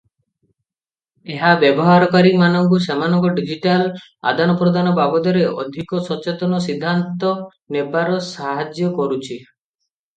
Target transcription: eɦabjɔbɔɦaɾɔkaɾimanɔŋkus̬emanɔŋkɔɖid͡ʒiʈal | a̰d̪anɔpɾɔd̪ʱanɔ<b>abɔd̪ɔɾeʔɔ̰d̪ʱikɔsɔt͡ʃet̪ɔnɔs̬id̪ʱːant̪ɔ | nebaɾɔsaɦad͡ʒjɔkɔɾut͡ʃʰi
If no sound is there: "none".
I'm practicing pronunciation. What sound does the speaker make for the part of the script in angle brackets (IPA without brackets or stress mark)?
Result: b